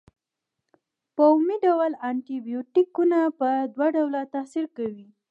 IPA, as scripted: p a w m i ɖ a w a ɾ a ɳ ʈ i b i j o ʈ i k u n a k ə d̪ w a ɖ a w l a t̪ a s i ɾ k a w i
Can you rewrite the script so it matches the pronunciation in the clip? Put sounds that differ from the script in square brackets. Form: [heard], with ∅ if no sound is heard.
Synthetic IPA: p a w m i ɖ a w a [l] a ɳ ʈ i b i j o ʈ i k u n a [p] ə d̪ w a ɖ a w l a t̪ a s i ɾ k a w i